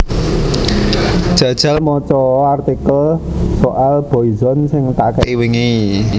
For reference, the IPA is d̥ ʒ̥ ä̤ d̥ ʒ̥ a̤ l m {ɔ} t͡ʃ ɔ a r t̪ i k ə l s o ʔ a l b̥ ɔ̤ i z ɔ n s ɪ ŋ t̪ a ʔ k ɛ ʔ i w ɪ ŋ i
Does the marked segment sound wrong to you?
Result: no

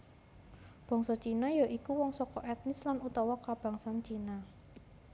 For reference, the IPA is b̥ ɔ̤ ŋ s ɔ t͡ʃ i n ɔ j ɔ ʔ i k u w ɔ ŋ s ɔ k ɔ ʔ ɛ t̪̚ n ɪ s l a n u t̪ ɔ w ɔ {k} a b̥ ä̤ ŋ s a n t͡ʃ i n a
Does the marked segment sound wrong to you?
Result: no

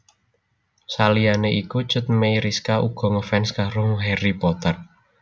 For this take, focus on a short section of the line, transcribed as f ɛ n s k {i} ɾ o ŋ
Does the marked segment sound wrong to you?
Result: yes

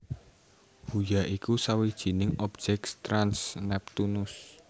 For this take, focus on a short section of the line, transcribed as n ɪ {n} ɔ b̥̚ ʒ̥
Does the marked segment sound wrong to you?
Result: yes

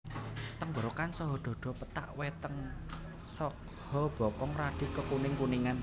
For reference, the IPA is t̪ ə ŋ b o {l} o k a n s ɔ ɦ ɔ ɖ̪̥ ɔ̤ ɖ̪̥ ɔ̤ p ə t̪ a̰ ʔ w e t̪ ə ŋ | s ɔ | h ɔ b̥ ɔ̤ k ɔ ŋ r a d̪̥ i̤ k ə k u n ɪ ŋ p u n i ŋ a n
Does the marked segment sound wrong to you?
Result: yes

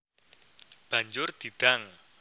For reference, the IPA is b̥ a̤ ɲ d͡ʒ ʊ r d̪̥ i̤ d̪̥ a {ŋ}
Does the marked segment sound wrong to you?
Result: no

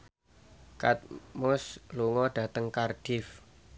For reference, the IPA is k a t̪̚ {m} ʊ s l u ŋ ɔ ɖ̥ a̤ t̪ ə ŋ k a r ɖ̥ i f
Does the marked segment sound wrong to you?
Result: no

